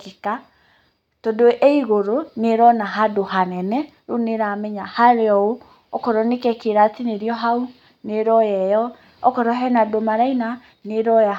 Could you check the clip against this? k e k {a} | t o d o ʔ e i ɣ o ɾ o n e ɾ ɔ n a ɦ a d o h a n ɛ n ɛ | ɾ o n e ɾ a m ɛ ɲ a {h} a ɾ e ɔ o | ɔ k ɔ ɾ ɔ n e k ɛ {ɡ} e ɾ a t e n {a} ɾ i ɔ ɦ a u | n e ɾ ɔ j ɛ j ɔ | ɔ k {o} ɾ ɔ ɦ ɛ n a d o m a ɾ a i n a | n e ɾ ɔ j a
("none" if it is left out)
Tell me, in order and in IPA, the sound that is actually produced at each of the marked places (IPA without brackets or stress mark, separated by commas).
a, h, k, e, ɔ